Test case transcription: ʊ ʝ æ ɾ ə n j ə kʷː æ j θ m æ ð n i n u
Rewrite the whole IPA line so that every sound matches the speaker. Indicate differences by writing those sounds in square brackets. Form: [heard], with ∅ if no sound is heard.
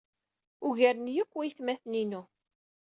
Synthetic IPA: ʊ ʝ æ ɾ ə n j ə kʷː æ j θ m æ [θ] n i n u